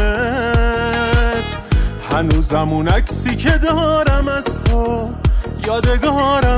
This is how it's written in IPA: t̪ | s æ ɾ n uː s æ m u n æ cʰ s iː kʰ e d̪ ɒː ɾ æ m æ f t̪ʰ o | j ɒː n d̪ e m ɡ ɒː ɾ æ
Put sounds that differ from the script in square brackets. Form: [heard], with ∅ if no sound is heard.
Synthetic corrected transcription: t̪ | [h] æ [∅] n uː [z] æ m u n æ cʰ s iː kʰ e d̪ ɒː ɾ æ m æ [s] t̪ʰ o | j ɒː [∅] d̪ e [∅] ɡ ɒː ɾ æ